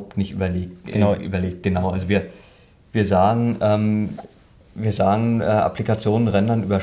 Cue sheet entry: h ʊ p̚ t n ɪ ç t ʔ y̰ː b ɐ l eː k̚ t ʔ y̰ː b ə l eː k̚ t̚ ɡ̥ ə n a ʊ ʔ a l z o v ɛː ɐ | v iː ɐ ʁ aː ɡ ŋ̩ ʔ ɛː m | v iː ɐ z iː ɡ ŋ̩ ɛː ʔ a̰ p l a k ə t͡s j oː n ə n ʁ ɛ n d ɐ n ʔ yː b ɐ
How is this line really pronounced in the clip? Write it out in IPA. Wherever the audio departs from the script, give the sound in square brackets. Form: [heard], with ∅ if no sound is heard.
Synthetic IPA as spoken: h ʊ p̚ t n ɪ ç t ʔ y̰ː b ɐ l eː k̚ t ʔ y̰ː b [ɐ] l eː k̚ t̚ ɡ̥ ə n a ʊ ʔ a l z o v [iː] ɐ | v iː ɐ [z] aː ɡ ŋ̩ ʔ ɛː m | v iː ɐ z [aː] ɡ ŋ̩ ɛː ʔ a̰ p l [i] k [a] t͡s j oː n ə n ʁ ɛ n d ɐ n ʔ yː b ɐ